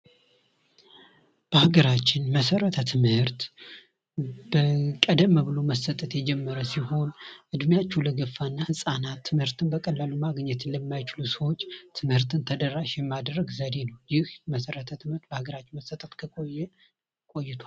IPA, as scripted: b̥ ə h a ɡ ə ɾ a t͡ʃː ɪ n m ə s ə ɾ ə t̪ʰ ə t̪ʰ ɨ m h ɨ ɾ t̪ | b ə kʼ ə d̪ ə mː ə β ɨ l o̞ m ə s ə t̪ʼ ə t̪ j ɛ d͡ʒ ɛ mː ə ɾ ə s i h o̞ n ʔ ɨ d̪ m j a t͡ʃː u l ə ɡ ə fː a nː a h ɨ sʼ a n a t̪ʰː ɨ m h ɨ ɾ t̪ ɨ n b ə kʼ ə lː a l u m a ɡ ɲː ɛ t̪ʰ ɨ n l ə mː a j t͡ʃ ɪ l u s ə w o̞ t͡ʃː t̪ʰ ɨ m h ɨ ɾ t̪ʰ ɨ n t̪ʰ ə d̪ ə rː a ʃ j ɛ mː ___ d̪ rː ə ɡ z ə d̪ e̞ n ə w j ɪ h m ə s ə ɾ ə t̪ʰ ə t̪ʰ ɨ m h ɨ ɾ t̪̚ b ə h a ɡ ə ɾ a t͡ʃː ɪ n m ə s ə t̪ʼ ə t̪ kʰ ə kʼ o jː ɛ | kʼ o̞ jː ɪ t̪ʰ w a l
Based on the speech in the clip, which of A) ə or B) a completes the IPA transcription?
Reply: B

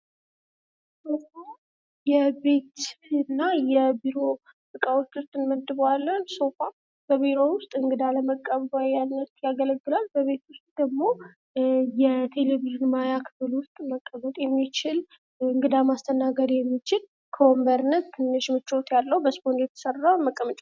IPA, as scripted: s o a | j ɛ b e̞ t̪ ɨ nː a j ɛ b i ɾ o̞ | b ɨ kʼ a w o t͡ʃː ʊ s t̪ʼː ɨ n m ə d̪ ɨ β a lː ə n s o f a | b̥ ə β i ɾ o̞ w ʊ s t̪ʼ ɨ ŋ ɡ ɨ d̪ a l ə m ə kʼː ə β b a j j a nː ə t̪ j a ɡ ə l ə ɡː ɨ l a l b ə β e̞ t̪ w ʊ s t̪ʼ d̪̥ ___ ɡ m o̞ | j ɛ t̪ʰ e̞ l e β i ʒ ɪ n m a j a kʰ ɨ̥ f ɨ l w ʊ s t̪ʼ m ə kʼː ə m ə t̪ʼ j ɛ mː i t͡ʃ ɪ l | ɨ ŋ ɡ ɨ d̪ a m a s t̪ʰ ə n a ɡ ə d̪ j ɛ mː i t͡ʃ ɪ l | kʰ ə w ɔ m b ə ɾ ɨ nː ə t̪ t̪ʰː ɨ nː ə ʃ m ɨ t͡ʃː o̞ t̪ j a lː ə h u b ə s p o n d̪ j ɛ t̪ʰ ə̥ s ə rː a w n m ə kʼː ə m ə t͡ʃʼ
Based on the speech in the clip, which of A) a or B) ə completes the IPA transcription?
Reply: B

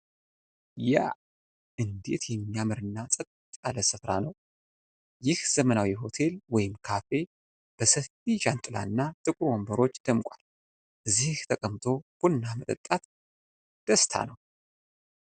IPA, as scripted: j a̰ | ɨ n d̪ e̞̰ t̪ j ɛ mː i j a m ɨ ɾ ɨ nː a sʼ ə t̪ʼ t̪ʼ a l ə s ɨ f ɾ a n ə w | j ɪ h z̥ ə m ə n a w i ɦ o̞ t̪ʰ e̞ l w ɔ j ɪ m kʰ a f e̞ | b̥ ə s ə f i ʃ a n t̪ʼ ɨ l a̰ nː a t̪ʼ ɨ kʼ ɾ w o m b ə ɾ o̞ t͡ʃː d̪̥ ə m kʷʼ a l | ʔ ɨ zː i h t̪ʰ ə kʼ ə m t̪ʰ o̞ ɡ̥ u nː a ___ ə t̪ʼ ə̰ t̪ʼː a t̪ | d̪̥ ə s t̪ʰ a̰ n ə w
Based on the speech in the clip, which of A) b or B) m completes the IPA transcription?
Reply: B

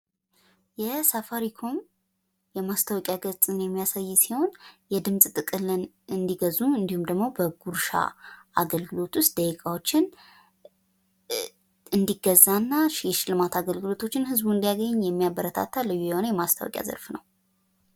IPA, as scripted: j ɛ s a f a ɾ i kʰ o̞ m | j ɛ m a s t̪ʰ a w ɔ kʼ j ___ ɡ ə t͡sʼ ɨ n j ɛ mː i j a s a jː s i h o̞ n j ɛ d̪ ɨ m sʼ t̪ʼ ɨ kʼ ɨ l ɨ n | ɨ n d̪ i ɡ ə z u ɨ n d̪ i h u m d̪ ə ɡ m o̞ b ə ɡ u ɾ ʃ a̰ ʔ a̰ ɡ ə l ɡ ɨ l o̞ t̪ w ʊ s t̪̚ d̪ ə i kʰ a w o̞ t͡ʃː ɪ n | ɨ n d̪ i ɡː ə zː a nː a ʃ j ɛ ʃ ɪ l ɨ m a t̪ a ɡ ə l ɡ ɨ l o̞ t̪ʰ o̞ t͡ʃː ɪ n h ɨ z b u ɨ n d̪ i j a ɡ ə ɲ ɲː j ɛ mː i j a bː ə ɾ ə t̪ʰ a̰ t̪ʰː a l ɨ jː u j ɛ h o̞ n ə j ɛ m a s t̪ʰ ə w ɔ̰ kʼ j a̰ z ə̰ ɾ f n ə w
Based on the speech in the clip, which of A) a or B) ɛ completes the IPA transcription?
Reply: A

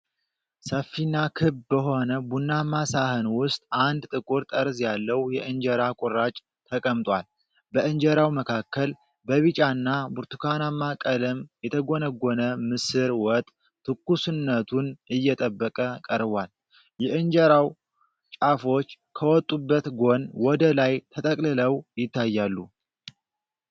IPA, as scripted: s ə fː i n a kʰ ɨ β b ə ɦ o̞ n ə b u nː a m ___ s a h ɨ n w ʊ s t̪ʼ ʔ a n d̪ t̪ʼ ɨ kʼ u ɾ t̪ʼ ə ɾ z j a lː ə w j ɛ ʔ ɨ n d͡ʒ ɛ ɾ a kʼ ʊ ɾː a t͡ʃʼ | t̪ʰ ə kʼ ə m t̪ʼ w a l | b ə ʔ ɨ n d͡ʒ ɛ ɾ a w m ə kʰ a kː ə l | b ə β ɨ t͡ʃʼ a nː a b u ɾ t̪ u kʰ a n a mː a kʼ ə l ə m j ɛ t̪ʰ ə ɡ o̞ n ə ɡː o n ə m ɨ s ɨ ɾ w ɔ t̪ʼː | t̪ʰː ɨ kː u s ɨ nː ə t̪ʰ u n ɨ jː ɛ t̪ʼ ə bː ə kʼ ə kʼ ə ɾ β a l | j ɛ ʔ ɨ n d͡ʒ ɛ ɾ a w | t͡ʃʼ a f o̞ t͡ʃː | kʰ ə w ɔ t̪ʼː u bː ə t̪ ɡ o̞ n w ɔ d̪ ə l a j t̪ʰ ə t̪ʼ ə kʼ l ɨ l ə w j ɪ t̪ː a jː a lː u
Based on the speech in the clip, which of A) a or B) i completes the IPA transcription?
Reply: A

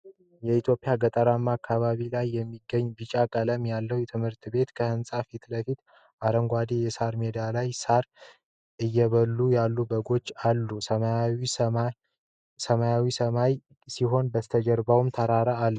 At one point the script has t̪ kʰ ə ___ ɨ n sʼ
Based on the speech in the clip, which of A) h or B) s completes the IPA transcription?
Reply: A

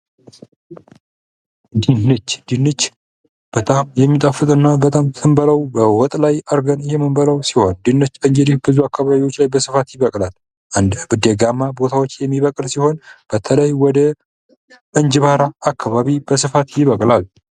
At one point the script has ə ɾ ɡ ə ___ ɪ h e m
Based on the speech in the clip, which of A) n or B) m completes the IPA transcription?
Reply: A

